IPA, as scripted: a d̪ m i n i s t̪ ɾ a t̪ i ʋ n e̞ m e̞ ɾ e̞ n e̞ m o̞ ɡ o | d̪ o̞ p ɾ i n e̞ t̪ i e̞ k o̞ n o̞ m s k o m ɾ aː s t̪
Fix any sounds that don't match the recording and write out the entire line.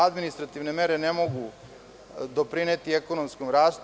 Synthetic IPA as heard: a d̪ m i n i s t̪ ɾ a t̪ i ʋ n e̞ m e̞ ɾ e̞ n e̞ m o̞ ɡ u | d̪ o̞ p ɾ i n e̞ t̪ i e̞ k o̞ n o̞ m s k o m ɾ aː s t̪